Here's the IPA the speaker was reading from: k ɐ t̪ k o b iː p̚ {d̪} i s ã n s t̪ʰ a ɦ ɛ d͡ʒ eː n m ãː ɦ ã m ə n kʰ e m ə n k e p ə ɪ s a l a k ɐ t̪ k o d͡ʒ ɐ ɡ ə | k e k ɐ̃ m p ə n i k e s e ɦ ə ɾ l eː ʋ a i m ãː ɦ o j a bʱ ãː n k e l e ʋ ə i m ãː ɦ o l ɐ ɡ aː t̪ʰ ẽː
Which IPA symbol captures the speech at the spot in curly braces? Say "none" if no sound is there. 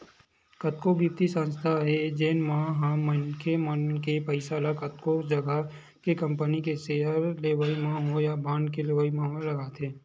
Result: t̪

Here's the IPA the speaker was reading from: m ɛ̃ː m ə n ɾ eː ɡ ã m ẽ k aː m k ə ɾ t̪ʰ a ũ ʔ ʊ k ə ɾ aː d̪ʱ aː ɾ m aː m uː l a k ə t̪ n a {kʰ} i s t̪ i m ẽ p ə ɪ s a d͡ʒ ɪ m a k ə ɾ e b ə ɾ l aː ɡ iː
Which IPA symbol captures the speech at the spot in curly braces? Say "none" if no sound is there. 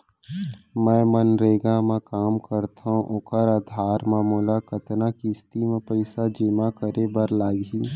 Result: k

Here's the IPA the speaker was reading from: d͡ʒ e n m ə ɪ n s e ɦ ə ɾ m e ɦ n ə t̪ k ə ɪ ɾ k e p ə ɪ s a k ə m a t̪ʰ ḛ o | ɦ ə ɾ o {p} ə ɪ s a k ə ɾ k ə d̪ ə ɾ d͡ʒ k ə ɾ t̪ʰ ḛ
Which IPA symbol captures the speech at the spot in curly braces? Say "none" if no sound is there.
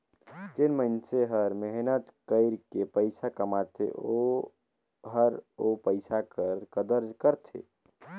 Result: p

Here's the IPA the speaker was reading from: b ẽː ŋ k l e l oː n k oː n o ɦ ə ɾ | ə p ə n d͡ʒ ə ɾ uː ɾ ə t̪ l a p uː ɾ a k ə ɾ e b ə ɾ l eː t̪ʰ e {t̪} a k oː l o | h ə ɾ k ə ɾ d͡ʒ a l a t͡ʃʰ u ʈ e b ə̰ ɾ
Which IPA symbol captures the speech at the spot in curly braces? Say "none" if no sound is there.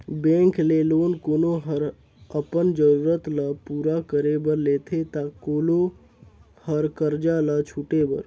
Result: t̪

